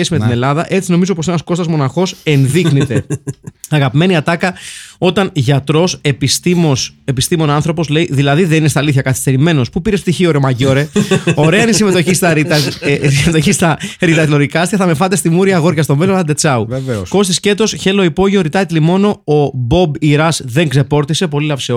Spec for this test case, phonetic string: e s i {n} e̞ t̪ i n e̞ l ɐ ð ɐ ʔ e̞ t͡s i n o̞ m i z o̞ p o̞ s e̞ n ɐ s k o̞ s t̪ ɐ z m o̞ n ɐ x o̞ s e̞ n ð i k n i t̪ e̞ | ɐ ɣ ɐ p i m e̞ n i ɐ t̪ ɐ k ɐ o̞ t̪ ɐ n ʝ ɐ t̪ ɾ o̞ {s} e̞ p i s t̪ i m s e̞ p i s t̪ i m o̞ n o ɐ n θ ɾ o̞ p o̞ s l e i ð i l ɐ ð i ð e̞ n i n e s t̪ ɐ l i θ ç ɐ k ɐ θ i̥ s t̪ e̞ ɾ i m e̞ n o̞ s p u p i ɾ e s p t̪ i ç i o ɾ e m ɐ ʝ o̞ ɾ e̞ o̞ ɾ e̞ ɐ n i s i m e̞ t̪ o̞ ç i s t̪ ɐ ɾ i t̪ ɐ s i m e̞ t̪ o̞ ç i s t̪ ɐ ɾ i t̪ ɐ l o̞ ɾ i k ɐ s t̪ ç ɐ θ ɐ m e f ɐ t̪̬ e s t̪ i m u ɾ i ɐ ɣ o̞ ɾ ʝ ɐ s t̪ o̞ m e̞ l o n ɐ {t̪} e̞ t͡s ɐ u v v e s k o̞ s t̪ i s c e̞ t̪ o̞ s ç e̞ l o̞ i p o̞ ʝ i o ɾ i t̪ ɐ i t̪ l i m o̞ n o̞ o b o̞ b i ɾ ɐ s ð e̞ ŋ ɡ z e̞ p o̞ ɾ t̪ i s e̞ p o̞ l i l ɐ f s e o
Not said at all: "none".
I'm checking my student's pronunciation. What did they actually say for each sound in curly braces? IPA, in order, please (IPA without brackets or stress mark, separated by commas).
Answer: m, s, d̪